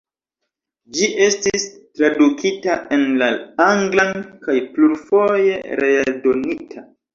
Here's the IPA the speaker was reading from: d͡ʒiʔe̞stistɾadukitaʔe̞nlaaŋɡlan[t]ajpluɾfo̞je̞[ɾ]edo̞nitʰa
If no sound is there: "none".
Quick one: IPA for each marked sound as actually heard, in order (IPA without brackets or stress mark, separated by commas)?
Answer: k, ɾ